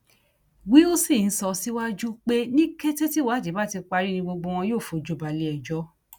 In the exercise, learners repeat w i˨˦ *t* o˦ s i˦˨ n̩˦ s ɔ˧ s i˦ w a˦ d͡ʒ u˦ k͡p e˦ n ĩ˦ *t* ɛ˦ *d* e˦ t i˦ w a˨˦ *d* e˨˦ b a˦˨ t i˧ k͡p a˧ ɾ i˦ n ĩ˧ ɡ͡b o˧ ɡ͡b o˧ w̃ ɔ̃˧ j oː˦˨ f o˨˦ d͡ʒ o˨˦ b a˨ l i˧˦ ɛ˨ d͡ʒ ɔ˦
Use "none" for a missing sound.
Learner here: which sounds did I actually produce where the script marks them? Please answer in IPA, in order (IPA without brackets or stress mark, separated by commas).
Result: none, k, t, d͡ʒ